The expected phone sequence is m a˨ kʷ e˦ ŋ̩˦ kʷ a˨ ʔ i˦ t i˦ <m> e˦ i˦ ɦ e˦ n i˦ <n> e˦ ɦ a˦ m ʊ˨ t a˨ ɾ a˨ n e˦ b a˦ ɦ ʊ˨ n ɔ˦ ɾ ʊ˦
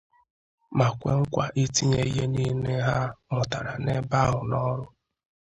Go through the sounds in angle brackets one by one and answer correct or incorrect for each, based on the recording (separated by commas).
incorrect, correct